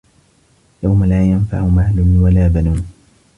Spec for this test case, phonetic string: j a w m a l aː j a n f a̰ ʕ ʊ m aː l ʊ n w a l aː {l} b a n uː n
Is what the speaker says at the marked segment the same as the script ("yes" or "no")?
no